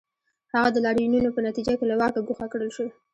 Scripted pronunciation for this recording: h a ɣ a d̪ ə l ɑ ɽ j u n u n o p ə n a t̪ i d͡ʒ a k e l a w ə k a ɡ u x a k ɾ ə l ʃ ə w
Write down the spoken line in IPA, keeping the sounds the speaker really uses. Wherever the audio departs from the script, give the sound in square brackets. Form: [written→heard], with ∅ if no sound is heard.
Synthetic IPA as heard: h a ɣ a d̪ ə l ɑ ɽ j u n u n o p ə n a t̪ i d͡ʒ a k e l a w [ə→ɑ] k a ɡ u x a k [ɾ→ɽ] ə l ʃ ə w